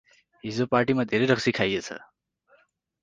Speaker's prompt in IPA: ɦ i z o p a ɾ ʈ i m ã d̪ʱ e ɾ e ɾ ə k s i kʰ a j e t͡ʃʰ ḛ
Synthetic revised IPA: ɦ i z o p a ɾ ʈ i m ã d̪ʱ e ɾ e ɾ ə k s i kʰ a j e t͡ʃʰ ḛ